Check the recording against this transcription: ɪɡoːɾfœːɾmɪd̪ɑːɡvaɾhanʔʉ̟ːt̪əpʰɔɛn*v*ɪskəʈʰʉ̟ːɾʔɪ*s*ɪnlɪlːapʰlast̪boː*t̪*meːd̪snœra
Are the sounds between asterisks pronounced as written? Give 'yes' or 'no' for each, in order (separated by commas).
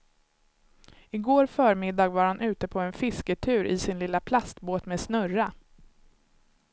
no, yes, yes